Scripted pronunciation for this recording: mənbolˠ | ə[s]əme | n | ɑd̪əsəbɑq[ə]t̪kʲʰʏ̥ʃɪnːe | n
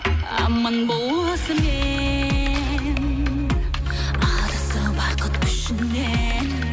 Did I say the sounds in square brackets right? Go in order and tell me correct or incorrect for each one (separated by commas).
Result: correct, correct